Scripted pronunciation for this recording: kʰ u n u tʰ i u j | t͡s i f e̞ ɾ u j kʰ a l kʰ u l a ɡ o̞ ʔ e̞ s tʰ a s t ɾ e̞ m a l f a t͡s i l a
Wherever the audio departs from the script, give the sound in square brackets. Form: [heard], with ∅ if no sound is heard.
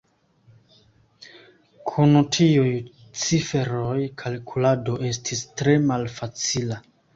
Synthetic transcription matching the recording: kʰ u n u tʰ i u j | t͡s i f e̞ ɾ [o] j kʰ a l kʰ u l a [d] o̞ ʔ e̞ s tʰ [i] s t ɾ e̞ m a l f a t͡s i l a